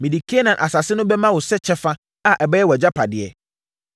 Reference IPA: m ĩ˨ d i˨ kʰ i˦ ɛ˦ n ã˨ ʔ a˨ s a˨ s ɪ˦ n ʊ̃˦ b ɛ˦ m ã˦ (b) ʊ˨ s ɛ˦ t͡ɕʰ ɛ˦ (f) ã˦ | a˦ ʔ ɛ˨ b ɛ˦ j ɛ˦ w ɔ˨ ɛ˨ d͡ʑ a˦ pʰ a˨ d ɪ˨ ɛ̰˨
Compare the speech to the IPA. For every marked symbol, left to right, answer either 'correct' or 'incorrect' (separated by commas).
incorrect, correct